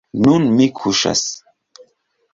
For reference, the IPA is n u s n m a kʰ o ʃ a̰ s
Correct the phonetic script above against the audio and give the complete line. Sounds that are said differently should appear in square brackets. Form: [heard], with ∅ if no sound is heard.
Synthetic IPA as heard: n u [∅] n m [i] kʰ [u] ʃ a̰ s